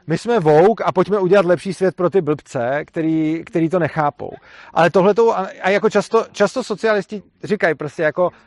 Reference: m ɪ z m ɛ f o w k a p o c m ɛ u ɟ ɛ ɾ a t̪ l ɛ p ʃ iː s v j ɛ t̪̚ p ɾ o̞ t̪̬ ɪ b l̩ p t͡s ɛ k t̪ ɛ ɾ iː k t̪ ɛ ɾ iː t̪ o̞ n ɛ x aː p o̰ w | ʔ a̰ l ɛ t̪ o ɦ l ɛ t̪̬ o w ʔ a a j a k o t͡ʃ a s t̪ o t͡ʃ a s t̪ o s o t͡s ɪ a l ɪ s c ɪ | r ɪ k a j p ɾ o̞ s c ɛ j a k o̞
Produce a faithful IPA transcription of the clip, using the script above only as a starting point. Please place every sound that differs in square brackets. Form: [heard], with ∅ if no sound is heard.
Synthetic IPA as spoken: m ɪ [s] m ɛ [v] o w k a p o c m ɛ u ɟ ɛ [l] a t̪ l ɛ p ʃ iː s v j ɛ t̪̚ p ɾ o̞ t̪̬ ɪ b l̩ p t͡s ɛ k t̪ ɛ ɾ iː k t̪ ɛ ɾ iː t̪ o̞ n ɛ x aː p o̰ w | ʔ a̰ l ɛ t̪ o ɦ l ɛ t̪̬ o w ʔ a a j a k o t͡ʃ a s t̪ o t͡ʃ a s t̪ o s o t͡s ɪ a l ɪ s c ɪ | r ɪ k a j p ɾ o̞ s c ɛ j a k o̞